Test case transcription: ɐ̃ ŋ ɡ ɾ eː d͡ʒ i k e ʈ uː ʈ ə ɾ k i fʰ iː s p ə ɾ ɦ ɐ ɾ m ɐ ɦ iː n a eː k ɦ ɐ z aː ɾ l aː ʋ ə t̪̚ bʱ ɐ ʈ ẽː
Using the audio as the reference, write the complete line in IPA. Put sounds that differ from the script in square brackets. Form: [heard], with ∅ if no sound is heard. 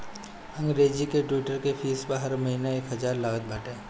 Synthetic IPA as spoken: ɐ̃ ŋ ɡ ɾ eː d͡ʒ i k e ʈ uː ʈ ə ɾ k [e] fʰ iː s p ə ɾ ɦ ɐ ɾ m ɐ ɦ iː n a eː k ɦ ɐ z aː ɾ l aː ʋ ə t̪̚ bʱ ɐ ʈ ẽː